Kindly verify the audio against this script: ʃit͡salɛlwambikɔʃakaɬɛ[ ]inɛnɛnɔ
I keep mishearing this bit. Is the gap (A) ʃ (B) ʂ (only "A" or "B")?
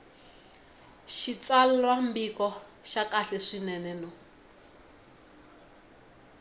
B